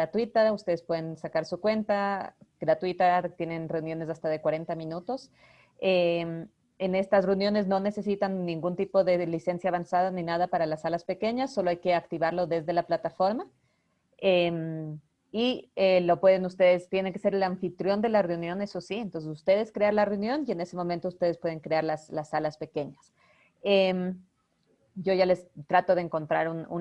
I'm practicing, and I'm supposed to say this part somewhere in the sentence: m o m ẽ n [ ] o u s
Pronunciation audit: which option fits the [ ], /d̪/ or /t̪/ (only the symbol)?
t̪